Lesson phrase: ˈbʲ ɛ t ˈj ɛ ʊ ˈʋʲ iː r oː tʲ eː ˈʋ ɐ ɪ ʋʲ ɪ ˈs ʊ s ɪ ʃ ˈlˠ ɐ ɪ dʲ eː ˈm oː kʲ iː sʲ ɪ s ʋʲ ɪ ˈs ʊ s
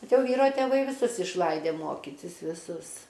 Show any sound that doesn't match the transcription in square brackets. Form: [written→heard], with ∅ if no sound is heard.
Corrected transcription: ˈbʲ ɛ t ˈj ɛ ʊ ˈʋʲ iː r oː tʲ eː ˈʋ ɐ ɪ ʋʲ ɪ ˈs ʊ s ɪ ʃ ˈlˠ ɐ ɪ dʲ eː ˈm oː kʲ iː [sʲ→tʲ] ɪ s ʋʲ ɪ ˈs ʊ s